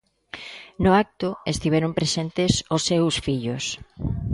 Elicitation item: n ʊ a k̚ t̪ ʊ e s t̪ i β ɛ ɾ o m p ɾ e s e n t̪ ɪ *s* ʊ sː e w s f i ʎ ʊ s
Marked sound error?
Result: no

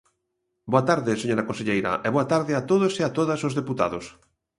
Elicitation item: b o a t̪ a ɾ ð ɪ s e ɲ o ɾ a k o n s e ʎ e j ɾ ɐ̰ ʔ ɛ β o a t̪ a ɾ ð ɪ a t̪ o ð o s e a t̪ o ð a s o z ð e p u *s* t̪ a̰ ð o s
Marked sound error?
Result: yes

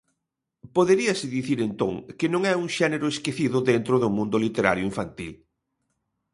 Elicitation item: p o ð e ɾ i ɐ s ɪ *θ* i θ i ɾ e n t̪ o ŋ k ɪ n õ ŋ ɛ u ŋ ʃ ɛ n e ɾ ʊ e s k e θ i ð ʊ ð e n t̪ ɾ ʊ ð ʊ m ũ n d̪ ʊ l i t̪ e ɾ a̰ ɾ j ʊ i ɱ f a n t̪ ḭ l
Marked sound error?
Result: yes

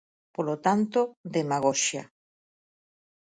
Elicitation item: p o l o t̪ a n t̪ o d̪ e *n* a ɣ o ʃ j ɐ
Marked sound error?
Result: yes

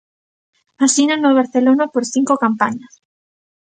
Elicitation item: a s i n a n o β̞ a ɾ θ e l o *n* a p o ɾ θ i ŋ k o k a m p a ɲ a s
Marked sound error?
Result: no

